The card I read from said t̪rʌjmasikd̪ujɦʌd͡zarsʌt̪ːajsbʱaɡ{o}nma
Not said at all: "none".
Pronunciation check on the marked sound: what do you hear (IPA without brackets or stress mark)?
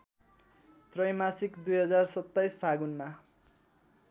u